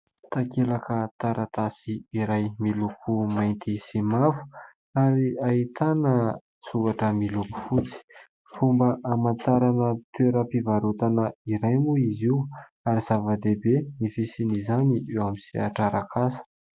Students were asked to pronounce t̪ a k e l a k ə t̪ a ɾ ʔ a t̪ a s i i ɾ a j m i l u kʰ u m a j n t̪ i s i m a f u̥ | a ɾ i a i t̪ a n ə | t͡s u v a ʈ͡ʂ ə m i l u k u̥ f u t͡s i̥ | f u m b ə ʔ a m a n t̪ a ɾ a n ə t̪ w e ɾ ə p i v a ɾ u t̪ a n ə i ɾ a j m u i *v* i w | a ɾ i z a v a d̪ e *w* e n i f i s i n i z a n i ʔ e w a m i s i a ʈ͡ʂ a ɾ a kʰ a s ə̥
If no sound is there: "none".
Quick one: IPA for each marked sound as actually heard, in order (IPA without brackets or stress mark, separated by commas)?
z, b